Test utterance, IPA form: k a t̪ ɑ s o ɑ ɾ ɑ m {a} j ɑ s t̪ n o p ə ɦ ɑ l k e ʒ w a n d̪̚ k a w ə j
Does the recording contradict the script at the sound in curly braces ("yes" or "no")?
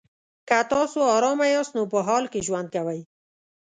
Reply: no